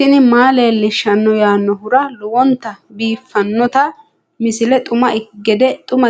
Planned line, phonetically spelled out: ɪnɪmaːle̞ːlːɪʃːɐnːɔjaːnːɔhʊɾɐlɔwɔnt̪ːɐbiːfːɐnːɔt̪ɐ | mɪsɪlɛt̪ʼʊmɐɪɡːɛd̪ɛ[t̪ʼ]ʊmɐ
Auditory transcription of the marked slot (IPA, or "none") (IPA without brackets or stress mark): t̪ʼ